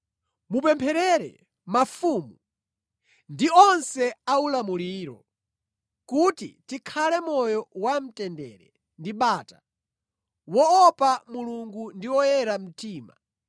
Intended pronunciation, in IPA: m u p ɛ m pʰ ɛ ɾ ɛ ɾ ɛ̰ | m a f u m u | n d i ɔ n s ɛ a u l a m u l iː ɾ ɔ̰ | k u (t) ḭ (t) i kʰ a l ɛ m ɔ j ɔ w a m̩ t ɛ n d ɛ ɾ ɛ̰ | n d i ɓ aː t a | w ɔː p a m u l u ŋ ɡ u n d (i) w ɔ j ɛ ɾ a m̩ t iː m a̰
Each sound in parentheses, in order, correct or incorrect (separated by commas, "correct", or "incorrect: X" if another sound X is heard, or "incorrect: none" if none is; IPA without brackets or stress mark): correct, correct, correct